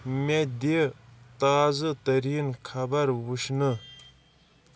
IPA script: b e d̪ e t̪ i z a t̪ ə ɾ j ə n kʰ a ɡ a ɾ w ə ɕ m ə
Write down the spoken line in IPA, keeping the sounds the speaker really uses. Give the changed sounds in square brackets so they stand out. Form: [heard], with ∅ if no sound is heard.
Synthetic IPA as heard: [m] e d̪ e t̪ [a] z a t̪ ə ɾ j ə n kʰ a [b] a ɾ w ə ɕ [n] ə

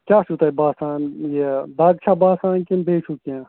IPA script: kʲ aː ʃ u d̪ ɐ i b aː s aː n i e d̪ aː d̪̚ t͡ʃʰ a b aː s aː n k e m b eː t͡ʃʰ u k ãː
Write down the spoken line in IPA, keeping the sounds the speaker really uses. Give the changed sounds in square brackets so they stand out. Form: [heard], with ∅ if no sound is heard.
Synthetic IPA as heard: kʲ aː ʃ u [t̪] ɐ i b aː s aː n [j] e d̪ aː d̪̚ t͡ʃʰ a b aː s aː n k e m b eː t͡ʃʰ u k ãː

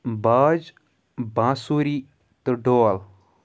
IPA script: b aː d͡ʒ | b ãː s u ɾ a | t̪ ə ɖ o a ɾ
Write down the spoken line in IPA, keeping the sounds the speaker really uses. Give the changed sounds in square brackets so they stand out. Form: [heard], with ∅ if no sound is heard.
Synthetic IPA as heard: b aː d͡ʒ | b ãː s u ɾ [i] | t̪ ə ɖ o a [l]

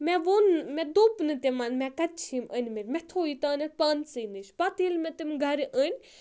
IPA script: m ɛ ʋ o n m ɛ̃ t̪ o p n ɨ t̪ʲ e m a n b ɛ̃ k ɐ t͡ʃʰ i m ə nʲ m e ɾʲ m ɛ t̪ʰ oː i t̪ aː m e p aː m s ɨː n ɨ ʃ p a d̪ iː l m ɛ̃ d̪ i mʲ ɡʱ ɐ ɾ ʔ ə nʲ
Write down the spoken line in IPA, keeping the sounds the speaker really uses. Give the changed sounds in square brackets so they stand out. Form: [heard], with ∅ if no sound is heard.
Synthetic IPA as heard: m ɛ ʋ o n m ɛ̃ [d̪] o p n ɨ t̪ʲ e m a n [m] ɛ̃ k ɐ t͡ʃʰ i m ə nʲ m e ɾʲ m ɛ t̪ʰ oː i t̪ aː [n] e p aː [n] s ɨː n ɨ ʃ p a [t̪] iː l m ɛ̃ [t̪] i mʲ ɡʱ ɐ ɾ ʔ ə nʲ

